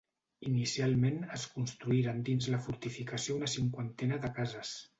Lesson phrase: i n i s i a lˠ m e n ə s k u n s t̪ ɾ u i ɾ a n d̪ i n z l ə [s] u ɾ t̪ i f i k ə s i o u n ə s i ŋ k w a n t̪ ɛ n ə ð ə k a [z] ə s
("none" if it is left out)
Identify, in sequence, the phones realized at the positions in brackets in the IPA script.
f, z

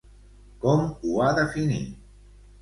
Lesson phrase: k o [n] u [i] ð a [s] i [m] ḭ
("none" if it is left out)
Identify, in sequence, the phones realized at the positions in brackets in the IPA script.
m, a, f, n

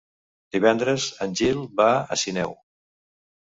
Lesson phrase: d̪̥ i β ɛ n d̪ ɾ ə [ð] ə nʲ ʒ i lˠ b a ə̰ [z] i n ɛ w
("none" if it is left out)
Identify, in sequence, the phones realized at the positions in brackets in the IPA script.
z, s

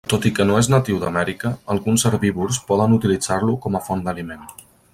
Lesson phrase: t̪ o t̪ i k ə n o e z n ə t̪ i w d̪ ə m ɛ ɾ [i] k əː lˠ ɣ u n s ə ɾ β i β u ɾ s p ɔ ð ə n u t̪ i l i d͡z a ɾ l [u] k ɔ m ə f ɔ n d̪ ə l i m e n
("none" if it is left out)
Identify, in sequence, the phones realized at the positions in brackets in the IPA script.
i, u

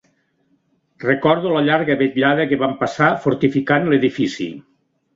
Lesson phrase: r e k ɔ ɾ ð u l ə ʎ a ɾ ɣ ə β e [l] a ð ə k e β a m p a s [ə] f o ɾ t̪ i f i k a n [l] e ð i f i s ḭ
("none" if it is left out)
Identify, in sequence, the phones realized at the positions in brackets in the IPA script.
ʎ, a, l

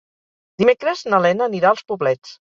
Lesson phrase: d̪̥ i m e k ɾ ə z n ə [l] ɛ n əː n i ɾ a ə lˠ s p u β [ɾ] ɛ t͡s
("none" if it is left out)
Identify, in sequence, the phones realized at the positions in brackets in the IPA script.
l, l

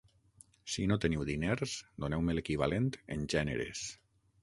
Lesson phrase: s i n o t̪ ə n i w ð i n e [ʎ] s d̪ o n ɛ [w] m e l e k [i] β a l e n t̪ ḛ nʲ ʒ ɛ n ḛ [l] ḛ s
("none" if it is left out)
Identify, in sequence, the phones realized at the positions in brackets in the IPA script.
ɾ, w, i, ɾ

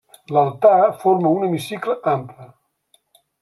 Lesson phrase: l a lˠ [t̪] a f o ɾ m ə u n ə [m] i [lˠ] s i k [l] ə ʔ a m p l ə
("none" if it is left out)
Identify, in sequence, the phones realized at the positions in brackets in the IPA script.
t̪, m, none, l

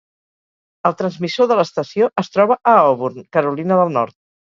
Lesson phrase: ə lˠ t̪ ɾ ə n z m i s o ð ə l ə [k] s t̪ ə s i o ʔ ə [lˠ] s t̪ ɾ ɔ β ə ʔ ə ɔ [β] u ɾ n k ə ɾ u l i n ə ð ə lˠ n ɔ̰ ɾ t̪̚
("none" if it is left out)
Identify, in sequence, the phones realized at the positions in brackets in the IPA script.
none, none, β

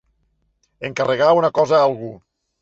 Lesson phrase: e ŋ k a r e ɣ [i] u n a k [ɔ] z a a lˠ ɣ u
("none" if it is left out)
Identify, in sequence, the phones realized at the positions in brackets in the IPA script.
a, ɔ

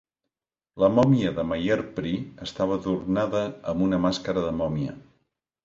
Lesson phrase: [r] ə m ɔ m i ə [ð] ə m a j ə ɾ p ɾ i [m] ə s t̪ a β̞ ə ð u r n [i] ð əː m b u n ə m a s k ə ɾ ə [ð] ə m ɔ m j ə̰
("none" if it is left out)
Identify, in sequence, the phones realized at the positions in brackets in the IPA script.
l, ð, none, a, ð

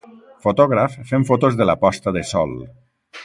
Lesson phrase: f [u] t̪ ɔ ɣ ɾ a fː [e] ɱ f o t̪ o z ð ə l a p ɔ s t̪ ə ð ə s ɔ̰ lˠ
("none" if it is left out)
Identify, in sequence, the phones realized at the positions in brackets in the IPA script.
o, e

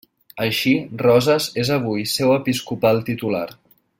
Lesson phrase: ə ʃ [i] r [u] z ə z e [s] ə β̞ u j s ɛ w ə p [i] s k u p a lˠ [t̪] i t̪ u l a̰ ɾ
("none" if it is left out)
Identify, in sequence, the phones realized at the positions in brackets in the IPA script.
i, ɔ, z, i, t̪

